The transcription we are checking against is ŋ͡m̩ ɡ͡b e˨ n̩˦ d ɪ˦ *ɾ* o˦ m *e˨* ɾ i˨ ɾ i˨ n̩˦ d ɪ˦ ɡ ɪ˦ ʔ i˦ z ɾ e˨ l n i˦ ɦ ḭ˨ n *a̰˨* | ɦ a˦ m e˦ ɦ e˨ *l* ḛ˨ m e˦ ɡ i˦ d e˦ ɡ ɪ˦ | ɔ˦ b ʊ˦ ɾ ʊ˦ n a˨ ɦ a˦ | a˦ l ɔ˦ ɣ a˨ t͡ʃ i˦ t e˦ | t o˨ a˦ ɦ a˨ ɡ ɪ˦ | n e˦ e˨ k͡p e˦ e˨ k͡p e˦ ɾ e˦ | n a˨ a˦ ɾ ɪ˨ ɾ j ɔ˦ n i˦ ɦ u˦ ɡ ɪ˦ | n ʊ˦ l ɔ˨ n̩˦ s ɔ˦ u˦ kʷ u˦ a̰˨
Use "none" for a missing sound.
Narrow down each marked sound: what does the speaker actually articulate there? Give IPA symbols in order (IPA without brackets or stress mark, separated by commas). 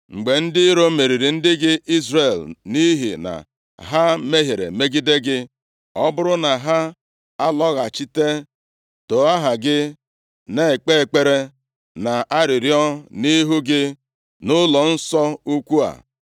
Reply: ɾ, e˨, a̰˨, ɾ